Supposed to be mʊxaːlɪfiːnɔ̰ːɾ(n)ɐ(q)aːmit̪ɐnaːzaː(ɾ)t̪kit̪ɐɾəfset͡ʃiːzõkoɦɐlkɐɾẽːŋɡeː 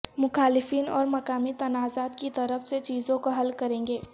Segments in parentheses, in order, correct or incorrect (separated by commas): incorrect, incorrect, incorrect